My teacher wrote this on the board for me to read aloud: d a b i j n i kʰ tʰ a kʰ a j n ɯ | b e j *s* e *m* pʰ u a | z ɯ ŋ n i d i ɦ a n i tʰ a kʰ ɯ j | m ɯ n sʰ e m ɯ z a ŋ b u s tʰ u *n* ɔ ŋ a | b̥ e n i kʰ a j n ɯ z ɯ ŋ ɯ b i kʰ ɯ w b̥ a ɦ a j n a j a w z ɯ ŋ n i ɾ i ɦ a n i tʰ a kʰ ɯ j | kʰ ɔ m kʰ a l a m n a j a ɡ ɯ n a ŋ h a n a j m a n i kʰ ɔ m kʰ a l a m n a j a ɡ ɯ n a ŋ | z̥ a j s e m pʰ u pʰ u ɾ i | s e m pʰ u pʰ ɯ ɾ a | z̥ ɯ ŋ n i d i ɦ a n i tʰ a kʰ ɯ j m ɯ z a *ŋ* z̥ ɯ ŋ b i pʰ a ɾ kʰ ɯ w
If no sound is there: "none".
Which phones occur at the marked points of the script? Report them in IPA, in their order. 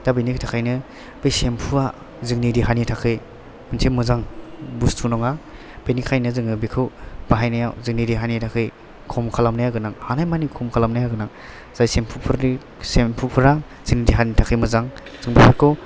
s, m, n, ŋ

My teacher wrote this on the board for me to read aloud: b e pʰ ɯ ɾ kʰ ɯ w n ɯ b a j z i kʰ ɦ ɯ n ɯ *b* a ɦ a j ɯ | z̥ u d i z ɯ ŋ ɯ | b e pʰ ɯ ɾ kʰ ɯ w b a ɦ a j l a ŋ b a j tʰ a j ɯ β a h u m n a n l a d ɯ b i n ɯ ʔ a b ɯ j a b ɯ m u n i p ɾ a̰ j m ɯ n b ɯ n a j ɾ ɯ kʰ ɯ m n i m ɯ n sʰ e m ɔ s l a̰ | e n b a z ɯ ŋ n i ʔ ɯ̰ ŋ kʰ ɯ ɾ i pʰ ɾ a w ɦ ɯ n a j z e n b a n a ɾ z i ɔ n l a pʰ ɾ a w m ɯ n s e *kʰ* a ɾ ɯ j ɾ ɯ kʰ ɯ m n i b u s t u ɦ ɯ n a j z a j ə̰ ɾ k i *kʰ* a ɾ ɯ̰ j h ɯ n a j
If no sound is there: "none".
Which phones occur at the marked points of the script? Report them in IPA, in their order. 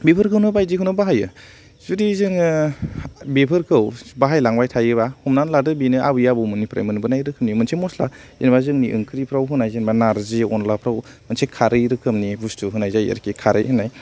b, kʰ, kʰ

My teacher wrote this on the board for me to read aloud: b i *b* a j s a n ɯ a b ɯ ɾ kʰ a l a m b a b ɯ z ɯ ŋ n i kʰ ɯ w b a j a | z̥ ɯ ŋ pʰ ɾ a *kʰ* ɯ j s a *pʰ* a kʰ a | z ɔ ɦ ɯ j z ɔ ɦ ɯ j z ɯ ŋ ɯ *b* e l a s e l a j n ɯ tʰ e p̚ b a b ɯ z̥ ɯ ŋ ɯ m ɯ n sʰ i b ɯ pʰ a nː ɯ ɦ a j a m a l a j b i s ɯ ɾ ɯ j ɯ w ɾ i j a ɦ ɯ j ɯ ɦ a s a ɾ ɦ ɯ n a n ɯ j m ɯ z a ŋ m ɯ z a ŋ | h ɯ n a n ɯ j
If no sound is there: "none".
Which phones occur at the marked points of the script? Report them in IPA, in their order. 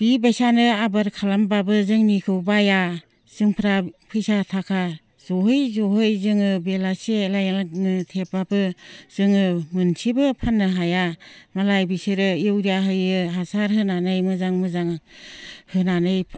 b, pʰ, tʰ, b

